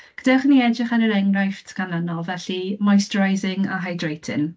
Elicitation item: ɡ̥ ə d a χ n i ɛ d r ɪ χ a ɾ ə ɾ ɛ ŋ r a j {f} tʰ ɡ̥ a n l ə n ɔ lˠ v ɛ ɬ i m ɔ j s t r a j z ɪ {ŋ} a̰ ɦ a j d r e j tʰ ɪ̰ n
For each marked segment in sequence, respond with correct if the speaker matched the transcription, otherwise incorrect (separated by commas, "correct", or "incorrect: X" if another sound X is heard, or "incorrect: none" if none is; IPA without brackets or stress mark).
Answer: correct, correct